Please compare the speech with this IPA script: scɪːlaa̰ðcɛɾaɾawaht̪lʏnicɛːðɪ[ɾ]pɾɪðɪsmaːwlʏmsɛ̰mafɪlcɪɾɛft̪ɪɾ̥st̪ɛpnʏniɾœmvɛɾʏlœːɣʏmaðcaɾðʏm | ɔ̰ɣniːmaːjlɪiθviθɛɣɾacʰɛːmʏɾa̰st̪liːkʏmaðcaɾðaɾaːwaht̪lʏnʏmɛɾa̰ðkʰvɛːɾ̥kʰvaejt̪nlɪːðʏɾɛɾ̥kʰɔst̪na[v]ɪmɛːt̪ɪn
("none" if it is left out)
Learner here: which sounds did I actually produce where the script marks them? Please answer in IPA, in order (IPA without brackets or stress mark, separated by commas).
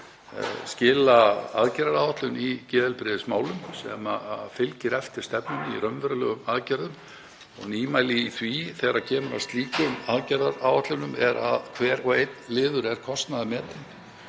l, ð